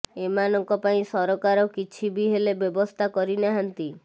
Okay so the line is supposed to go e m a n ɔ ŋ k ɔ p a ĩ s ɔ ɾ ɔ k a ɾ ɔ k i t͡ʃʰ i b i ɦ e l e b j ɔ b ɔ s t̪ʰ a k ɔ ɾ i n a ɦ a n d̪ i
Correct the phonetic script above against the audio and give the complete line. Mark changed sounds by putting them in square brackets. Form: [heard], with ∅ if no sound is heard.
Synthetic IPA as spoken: e m a n ɔ ŋ k ɔ p a ĩ s ɔ ɾ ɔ k a ɾ ɔ k i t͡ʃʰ i b i ɦ e l e b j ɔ b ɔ s t̪ʰ a k ɔ ɾ i n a ɦ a n [t̪] i